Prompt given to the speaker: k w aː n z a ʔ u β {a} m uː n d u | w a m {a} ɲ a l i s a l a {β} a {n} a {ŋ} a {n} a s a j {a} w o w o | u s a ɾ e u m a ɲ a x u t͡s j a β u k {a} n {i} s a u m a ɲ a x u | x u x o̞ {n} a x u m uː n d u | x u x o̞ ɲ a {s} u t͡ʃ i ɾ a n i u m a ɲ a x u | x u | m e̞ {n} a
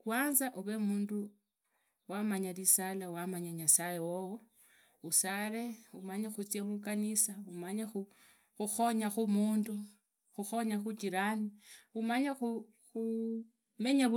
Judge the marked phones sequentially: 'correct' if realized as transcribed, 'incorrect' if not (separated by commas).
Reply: incorrect, correct, incorrect, incorrect, incorrect, incorrect, incorrect, correct, correct, incorrect, incorrect, incorrect